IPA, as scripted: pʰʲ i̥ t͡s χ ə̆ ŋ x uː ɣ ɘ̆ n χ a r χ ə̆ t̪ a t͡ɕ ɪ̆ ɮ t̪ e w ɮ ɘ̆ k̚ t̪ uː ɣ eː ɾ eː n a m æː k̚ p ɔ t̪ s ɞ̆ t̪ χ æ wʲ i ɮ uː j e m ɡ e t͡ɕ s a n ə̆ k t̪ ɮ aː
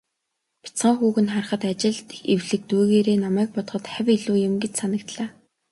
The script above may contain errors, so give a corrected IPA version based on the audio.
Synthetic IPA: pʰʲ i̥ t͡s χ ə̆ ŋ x uː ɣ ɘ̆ n χ a r χ ə̆ t̪ a t͡ɕ ɪ̆ ɮ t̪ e w ɮ ɘ̆ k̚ t̪ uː ɣ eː ɾ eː n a m æː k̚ p ɔ t̪ χ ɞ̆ t̪ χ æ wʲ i ɮ uː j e m ɡ e t͡ɕ s a n ə̆ k t̪ ɮ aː